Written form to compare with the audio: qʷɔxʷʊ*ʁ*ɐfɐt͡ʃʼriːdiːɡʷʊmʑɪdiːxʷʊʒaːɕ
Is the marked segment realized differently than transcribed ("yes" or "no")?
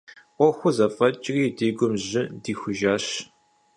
yes